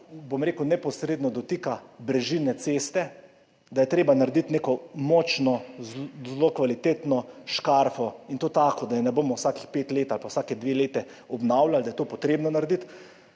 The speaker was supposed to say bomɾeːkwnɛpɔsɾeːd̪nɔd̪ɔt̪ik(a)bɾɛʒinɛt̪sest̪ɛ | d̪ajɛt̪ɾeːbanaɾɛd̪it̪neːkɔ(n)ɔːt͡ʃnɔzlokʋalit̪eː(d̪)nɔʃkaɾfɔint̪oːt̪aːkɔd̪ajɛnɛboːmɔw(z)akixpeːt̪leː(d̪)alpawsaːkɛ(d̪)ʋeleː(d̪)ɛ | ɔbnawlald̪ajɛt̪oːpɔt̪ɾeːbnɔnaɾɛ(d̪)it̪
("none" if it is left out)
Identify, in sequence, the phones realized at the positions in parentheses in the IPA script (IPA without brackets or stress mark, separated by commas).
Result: a, m, t̪, s, t̪, d̪, t̪, d̪